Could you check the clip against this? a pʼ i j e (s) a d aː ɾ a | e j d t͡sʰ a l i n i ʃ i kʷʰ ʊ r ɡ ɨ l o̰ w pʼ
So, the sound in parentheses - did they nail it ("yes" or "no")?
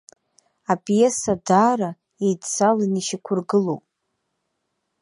yes